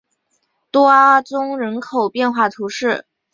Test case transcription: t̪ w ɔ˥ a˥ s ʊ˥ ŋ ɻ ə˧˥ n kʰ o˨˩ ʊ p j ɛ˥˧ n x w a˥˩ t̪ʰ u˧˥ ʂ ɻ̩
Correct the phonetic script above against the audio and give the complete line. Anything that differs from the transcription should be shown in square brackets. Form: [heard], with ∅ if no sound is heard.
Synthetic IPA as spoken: t̪ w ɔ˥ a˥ [t͡s] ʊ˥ ŋ ɻ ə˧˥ n kʰ o˨˩ ʊ p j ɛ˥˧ n x w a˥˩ t̪ʰ u˧˥ ʂ ɻ̩